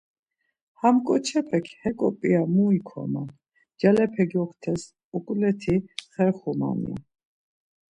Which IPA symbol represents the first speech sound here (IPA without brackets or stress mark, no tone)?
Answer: h